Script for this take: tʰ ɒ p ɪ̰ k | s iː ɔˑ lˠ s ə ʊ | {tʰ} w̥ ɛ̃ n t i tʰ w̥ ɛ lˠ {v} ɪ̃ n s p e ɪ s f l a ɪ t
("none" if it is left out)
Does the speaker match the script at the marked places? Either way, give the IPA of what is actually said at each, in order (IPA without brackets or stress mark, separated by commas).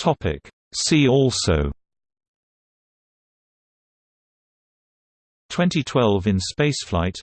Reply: tʰ, v